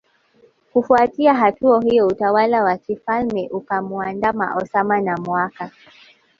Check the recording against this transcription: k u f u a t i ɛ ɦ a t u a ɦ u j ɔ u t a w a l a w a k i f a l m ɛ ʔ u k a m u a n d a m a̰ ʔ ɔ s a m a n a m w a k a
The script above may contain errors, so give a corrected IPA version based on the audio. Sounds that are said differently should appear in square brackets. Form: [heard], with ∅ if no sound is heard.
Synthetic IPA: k u f u a t i [a] ɦ a t u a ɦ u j ɔ u t a w a l a w a k i f a l m ɛ ʔ u k a m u a n d a m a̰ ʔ ɔ s a m a n a m w a k a